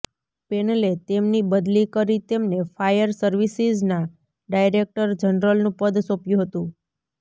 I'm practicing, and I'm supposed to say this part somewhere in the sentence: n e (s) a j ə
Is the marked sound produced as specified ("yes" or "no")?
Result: no